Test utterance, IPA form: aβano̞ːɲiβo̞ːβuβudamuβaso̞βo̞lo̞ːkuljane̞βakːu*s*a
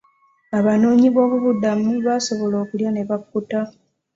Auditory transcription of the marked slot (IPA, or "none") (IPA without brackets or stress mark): t